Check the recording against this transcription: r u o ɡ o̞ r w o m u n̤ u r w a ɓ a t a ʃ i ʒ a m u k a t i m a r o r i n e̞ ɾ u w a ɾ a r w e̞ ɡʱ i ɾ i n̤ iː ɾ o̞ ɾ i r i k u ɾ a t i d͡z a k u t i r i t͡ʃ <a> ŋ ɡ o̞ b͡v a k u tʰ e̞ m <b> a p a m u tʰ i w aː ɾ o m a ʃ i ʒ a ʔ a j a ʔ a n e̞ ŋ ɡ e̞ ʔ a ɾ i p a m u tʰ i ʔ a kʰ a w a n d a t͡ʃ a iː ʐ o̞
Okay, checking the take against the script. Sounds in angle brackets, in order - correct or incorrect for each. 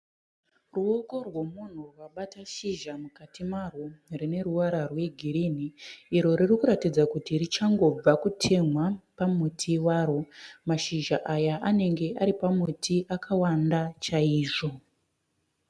correct, incorrect

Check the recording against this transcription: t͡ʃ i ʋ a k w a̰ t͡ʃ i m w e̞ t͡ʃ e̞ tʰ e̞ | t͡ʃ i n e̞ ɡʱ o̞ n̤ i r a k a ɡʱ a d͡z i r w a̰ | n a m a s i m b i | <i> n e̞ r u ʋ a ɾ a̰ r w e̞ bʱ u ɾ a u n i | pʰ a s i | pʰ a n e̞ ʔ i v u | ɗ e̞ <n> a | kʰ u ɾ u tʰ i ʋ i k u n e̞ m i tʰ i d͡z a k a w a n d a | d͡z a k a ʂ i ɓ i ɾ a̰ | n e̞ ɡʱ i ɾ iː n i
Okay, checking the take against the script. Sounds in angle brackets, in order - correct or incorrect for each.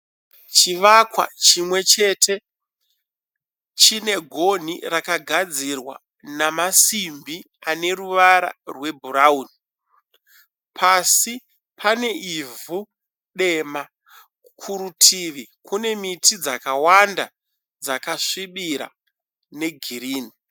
incorrect, incorrect

